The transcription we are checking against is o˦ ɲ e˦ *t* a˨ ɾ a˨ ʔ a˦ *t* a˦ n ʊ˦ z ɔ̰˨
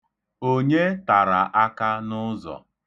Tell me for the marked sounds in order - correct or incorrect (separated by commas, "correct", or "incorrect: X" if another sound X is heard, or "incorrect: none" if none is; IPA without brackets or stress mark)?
correct, incorrect: k